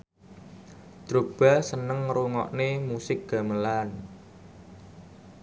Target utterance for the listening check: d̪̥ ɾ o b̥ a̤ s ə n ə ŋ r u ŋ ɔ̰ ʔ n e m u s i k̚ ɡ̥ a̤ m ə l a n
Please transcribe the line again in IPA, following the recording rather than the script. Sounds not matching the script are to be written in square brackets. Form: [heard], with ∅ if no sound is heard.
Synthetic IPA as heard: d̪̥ ɾ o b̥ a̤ s ə n ə ŋ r u ŋ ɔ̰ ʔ n e m u s [ɪ] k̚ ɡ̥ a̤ m ə l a n

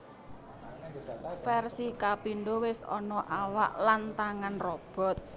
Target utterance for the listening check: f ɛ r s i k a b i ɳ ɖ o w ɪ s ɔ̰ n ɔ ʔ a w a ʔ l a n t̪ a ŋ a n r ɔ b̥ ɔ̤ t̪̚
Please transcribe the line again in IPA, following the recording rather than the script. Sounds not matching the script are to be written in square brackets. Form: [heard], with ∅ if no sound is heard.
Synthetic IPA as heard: f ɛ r s i k a [p] i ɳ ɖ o w ɪ s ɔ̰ n ɔ ʔ a w a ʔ l a n t̪ a ŋ a n r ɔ b̥ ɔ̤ t̪̚

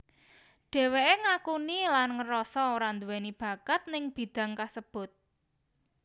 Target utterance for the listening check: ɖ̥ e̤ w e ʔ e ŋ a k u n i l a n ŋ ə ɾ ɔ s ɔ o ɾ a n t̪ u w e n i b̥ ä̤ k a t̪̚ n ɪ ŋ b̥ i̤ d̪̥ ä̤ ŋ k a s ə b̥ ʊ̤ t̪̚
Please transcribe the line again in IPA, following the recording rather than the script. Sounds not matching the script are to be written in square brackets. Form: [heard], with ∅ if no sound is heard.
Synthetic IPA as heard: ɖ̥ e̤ w e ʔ e ŋ a k u n i l a n ŋ ə ɾ ɔ s ɔ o ɾ a n [d̪] u w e n i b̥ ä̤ k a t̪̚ n ɪ ŋ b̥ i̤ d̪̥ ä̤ ŋ k a s ə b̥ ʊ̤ t̪̚

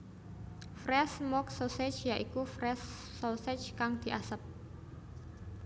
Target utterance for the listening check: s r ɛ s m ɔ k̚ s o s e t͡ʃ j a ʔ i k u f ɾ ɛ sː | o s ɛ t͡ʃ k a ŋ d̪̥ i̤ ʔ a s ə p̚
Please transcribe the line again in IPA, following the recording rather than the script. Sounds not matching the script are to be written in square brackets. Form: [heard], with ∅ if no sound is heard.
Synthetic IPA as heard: [f] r ɛ s m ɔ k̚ s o s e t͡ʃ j a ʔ i k u f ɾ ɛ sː | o s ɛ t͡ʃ k a ŋ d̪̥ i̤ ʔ a s ə p̚

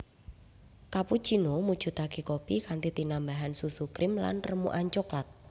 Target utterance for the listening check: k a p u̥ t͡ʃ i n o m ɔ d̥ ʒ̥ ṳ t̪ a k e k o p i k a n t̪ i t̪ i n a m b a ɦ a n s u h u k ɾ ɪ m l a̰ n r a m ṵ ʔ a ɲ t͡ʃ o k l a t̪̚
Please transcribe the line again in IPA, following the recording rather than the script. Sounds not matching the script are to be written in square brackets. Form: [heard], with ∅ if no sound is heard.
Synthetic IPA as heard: k a p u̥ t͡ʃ i n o m [u] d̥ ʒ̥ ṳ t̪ a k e k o p i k a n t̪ i t̪ i n a m b a ɦ a n s u [s] u k ɾ ɪ m l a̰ n r [ə] m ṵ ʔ a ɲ t͡ʃ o k l a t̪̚

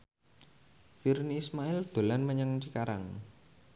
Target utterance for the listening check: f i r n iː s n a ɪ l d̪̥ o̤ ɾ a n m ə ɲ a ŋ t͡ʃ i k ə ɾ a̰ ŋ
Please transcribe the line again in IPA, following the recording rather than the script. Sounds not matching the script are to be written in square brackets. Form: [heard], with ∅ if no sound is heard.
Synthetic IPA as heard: f i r n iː s [m] a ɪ l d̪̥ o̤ [l] a n m ə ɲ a ŋ t͡ʃ i k [a] ɾ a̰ ŋ

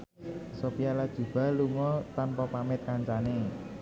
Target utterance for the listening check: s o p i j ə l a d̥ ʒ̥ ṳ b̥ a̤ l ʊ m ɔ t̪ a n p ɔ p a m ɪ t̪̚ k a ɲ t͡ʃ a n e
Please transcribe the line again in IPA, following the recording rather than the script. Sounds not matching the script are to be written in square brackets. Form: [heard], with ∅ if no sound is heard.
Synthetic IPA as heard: s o p i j [a] l a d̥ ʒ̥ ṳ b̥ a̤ l [u] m ɔ t̪ a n p ɔ p a m ɪ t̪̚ k a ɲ t͡ʃ a n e

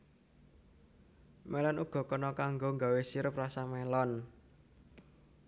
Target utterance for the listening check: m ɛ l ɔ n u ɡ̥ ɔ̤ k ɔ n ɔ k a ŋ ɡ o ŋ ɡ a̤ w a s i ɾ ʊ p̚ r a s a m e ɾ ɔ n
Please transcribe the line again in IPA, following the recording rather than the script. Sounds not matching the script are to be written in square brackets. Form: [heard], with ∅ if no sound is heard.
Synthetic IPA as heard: m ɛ l ɔ n u ɡ̥ ɔ̤ k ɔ n ɔ k a ŋ ɡ o ŋ ɡ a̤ w [e] s i ɾ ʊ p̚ r a s a m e [l] ɔ n

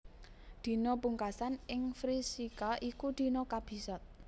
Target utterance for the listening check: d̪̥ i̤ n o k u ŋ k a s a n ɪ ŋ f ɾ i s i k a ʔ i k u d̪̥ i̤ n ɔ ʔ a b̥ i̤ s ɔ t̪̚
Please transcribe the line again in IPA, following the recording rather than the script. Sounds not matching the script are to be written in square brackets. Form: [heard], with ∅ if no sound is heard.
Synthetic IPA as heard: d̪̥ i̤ n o [p] u ŋ k a s a n ɪ ŋ f ɾ i s i k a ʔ i k u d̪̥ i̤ n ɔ [k] a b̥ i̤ s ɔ t̪̚

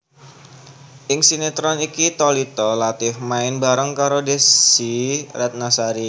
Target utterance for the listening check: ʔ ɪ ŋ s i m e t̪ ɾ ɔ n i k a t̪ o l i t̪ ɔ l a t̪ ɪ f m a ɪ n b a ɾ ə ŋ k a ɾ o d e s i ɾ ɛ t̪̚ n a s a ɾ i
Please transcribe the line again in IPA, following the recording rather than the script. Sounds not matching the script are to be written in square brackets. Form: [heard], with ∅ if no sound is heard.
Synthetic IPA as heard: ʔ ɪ ŋ s i [n] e t̪ ɾ ɔ n i k [i] t̪ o l i t̪ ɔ l a t̪ ɪ f m a ɪ n b a ɾ ə ŋ k a ɾ o d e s i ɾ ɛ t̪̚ n a s a ɾ i

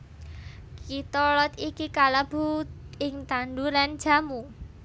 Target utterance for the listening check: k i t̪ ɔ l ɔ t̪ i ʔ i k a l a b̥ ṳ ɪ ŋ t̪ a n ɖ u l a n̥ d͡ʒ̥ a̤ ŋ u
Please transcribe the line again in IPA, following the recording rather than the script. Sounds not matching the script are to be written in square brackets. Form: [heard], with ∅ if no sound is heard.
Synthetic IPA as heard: k i t̪ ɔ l ɔ t̪ i [k] i k a l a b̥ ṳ ɪ ŋ t̪ a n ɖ u l a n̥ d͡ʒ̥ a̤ [m] u

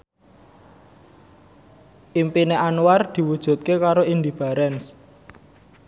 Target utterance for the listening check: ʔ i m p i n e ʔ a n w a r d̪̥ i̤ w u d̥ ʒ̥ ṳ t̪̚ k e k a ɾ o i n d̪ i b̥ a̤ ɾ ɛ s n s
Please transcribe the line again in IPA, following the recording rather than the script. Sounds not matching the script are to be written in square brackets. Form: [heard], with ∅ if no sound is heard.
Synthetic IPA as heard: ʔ i m p i n e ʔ a n w a r d̪̥ i̤ w u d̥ ʒ̥ ṳ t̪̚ k e k a ɾ o i n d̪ i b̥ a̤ ɾ ɛ [∅] n s

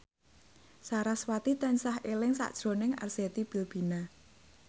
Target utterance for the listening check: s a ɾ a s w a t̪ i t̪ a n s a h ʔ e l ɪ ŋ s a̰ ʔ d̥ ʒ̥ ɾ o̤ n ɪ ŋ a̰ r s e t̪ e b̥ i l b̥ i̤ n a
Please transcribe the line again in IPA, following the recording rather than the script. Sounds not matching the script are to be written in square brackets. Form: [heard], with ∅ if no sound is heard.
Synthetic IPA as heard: s a ɾ a s w a t̪ i t̪ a n s a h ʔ e l ɪ ŋ s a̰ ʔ d̥ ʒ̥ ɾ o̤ n ɪ ŋ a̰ r s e t̪ [i] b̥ i l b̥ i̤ n a

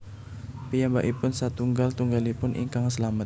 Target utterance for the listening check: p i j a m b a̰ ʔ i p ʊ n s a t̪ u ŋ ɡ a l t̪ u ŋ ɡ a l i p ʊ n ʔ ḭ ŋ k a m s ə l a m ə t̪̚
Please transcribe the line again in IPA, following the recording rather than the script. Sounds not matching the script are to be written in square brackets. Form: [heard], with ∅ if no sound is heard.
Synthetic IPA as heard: p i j a m b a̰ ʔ i p ʊ n s a t̪ u ŋ ɡ a l t̪ u ŋ ɡ a l i p ʊ n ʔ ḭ ŋ k a [ŋ] s ə l a m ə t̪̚

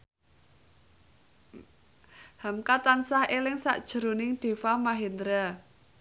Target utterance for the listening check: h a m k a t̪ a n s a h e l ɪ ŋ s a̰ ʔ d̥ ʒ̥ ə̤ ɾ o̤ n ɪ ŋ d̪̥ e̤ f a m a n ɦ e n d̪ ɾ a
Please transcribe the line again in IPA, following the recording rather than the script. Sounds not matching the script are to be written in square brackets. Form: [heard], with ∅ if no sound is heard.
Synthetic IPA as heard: h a m k a t̪ a n s a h e l ɪ ŋ s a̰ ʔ d̥ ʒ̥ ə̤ ɾ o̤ n ɪ ŋ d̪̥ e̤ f a m a [∅] ɦ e n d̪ ɾ a

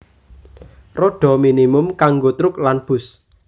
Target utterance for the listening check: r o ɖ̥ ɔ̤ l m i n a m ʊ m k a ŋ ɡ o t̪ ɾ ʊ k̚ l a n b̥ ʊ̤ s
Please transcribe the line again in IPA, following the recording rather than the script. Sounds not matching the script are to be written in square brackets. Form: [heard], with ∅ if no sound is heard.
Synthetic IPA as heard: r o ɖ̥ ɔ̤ [∅] m i n [i] m ʊ m k a ŋ ɡ o t̪ ɾ ʊ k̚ l a n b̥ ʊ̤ s

